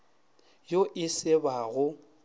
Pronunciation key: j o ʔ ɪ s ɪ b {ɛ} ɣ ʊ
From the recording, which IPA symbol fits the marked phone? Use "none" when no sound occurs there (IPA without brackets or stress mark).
a